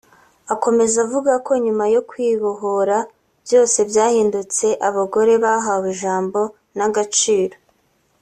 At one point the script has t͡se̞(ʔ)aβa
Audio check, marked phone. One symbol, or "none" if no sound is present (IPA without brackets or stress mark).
ʔ